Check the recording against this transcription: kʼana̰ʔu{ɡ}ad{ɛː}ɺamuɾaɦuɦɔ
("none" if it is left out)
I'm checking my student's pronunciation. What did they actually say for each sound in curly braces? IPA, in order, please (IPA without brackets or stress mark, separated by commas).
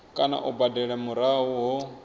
b, ɛ